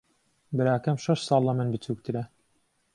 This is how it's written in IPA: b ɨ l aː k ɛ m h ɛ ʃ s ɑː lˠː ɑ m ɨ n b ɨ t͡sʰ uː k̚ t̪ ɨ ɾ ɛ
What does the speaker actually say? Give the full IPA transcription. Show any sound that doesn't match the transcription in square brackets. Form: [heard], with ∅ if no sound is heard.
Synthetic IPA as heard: b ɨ [ɾ] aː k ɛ m [ʃ] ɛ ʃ s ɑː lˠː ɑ m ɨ n b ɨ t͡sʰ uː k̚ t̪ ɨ ɾ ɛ